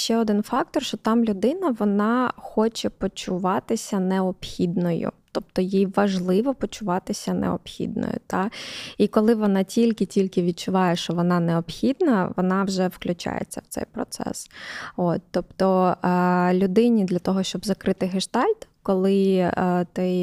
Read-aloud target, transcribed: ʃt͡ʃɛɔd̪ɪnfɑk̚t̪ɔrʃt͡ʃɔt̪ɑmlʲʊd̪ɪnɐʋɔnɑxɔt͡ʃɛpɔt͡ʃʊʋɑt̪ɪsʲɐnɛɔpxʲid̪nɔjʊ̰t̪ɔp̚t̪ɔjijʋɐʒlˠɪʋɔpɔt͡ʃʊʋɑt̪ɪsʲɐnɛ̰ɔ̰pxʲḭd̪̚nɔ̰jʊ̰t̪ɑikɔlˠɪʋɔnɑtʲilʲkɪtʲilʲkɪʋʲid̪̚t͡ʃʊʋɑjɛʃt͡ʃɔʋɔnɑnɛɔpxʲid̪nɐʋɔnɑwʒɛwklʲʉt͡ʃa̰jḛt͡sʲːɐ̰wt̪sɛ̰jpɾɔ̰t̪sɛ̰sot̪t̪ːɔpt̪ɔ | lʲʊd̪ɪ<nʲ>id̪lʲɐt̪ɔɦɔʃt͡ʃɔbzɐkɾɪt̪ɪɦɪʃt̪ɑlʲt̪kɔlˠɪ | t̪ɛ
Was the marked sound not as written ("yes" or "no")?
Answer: no